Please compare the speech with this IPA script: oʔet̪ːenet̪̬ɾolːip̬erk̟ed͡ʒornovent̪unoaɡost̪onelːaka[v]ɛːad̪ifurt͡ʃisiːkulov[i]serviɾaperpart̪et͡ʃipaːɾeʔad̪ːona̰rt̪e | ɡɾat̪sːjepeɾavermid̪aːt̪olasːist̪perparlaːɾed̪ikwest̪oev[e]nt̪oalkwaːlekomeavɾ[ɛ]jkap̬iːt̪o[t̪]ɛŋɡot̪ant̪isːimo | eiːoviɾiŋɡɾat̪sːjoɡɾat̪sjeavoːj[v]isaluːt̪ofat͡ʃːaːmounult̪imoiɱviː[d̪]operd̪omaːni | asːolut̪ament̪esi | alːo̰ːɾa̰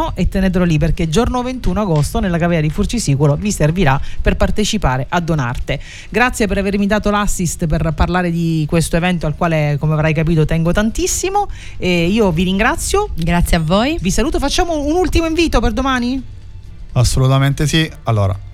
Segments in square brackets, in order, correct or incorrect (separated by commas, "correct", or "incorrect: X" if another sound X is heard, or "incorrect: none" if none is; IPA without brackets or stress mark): correct, correct, incorrect: ɛ, incorrect: a, correct, correct, incorrect: t̪